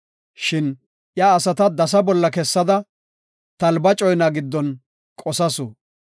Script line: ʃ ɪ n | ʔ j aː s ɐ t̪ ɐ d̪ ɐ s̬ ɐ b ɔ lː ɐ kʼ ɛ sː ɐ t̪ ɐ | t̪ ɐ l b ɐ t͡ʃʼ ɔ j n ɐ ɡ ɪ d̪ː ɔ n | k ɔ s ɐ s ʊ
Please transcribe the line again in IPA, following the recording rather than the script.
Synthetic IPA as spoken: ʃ ɪ n | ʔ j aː s ɐ t̪ ɐ d̪ ɐ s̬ ɐ b ɔ lː ɐ k ɛ sː ɐ d̪ ɐ | t̪ ɐ l b ɐ t͡ʃʼ ɔ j n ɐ ɡ ɪ d̪ː ɔ n | kʼ ɔ s ɐ s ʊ